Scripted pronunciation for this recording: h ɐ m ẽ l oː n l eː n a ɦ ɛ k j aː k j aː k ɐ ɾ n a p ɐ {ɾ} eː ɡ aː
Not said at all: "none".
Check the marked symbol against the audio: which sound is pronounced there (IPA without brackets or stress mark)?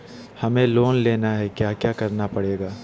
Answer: ɽ